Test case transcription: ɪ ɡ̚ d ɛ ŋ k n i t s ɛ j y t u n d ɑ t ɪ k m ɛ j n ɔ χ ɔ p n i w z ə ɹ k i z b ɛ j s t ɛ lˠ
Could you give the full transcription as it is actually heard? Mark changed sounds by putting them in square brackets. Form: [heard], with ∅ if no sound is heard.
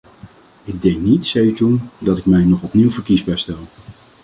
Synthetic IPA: ɪ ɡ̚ d ɛ ŋ k n i t s ɛ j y t u n d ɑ t ɪ k m ɛ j n ɔ χ ɔ p n i w [v] ə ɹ k i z b ɛ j s t ɛ lˠ